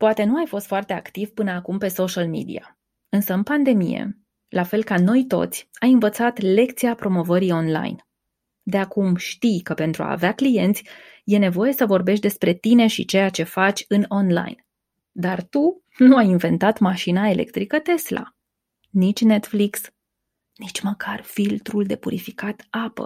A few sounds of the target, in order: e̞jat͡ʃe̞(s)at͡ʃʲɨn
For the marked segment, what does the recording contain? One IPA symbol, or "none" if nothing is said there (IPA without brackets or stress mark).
f